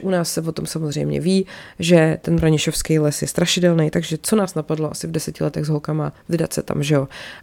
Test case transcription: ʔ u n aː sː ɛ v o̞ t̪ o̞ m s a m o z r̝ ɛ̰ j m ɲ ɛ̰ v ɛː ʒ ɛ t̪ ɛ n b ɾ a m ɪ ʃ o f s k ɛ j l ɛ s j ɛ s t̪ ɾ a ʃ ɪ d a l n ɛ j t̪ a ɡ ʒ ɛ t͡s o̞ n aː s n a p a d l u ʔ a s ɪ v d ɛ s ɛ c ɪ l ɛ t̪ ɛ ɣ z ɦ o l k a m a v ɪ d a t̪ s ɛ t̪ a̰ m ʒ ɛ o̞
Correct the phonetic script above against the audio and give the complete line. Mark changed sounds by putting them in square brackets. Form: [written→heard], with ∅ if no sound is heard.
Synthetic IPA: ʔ u n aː sː ɛ v o̞ t̪ o̞ m s a m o z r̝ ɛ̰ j m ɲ ɛ̰ v [ɛː→iː] ʒ ɛ t̪ ɛ n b ɾ a [m→ɲ] ɪ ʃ o f s k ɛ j l ɛ s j ɛ s t̪ ɾ a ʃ ɪ d [a→ɛ] l n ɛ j t̪ a ɡ ʒ ɛ t͡s o̞ n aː s n a p a d l [u→o] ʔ a s ɪ v d ɛ s ɛ c ɪ l ɛ t̪ ɛ ɣ z ɦ o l k a m a v ɪ d a t̪ s ɛ t̪ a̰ m ʒ ɛ o̞